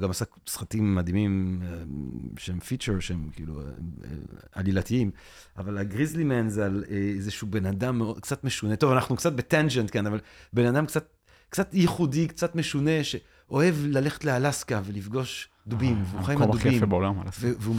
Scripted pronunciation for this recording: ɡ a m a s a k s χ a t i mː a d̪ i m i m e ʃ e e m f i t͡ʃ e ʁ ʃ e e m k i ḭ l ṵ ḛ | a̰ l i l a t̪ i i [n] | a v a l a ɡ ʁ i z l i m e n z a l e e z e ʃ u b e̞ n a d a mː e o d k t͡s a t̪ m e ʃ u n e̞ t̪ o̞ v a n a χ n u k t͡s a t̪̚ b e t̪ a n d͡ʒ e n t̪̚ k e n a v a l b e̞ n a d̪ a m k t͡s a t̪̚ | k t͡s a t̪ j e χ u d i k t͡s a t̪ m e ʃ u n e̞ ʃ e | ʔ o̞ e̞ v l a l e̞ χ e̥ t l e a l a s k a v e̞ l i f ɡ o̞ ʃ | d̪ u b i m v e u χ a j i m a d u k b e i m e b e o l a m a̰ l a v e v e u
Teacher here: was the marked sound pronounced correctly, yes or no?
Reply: no